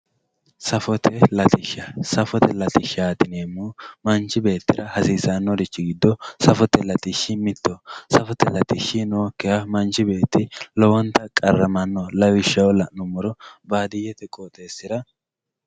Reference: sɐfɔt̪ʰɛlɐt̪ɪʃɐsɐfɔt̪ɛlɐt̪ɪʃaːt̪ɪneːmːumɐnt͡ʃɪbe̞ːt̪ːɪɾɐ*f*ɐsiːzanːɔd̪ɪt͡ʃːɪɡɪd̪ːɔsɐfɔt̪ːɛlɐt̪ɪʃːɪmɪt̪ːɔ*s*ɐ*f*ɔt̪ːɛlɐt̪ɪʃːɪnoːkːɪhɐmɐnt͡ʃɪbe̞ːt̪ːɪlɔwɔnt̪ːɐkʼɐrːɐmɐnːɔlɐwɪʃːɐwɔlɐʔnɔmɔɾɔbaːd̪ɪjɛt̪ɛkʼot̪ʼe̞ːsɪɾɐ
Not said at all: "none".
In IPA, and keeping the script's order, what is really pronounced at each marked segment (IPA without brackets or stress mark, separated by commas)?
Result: h, s, f